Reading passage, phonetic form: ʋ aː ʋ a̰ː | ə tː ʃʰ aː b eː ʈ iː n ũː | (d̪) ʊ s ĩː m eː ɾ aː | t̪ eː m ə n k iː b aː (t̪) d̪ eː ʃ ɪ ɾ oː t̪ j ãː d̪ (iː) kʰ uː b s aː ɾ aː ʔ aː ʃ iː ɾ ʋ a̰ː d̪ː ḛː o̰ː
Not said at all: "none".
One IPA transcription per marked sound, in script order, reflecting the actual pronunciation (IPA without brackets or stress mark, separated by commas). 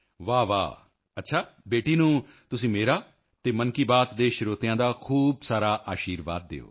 t̪, t̪, aː